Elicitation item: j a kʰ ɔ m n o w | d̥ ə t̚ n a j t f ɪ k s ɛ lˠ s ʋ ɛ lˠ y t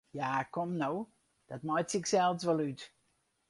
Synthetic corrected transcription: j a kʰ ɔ m n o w | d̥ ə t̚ m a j t s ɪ k s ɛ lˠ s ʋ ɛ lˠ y t